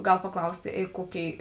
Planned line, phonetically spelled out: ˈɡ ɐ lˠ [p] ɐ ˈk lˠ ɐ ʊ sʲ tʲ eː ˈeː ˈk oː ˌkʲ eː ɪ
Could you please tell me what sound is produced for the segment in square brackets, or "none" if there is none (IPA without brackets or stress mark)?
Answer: p